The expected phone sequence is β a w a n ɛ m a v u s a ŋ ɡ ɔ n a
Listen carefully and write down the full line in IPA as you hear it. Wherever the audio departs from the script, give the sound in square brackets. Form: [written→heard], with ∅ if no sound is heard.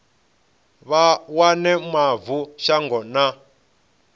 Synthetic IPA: β a w a n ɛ m a v u [s→ʃ] a ŋ ɡ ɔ n a